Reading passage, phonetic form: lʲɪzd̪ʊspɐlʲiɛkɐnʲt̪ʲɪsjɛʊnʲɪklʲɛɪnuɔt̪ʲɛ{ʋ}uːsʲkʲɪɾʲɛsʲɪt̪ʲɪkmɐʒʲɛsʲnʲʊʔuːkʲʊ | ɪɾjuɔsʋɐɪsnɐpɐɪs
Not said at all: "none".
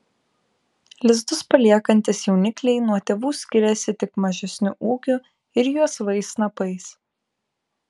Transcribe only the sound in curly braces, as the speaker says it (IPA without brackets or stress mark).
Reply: ʋ